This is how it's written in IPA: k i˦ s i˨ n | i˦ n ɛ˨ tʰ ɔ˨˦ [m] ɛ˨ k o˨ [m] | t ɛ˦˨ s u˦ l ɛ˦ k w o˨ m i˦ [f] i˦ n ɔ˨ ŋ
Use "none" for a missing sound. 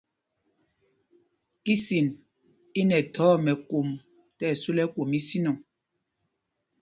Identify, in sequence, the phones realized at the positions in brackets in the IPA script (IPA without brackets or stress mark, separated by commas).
m, m, s